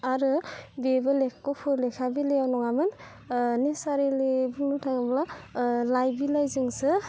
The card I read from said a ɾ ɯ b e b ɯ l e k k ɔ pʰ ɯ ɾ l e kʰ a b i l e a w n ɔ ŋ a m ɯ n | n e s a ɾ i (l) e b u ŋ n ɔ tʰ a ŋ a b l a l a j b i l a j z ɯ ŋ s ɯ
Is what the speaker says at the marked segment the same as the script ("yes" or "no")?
yes